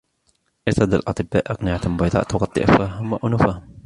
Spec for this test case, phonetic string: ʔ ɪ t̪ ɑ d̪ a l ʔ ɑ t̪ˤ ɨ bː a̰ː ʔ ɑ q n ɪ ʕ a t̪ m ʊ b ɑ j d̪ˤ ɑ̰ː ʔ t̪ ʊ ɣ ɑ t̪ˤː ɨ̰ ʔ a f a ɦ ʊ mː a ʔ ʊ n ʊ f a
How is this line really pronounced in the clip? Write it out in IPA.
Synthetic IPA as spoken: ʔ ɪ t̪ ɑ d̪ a l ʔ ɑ t̪ˤ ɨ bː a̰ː ʔ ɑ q n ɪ ʕ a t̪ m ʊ b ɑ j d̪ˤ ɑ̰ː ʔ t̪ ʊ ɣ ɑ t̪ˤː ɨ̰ ʔ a f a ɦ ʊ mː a ʔ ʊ n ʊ f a